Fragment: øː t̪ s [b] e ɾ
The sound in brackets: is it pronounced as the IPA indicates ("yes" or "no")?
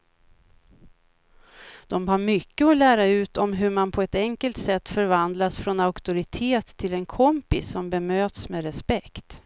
no